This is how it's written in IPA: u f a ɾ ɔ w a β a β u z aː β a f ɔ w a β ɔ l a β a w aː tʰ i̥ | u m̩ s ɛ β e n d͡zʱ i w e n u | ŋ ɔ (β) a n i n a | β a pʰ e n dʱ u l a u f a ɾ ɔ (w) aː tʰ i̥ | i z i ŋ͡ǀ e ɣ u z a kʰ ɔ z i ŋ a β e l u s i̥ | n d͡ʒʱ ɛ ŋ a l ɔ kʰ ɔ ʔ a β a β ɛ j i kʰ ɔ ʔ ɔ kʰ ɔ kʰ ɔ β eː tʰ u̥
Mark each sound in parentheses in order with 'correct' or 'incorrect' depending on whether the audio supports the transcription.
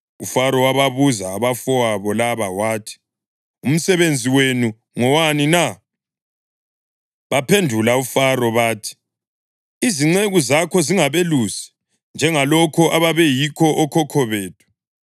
incorrect: w, incorrect: β

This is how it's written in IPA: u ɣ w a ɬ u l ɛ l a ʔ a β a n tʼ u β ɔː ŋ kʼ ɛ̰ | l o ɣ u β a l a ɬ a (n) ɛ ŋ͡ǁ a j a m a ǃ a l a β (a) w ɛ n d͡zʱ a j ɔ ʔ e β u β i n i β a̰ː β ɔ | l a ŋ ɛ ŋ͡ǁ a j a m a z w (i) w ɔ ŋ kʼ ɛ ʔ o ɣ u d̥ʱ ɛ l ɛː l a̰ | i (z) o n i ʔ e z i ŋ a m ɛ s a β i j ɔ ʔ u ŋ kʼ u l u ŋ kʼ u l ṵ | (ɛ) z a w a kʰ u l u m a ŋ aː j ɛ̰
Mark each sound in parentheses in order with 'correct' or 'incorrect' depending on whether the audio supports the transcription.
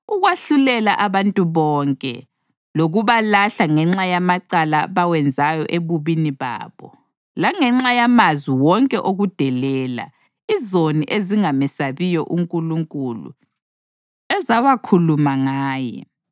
incorrect: ŋ, correct, correct, correct, correct

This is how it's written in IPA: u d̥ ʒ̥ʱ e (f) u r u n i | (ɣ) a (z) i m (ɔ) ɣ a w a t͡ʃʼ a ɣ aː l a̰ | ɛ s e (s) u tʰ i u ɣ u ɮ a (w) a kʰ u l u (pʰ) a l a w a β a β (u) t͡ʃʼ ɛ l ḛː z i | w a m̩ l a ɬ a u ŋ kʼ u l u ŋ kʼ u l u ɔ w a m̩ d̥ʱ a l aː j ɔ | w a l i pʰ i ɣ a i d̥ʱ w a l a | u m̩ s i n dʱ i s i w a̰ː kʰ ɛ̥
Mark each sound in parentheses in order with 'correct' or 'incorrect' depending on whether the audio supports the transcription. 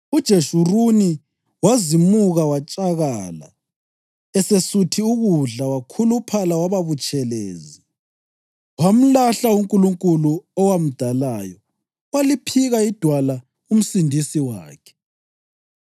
incorrect: ʃ, incorrect: w, correct, incorrect: u, correct, correct, correct, correct

